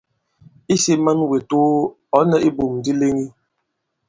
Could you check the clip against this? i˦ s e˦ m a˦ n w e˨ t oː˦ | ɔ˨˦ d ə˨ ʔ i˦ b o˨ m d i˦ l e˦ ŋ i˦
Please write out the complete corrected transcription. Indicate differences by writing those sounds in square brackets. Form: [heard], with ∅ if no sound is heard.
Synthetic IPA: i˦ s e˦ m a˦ n w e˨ t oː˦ | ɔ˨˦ [n] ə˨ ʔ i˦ b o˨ m d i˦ l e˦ ŋ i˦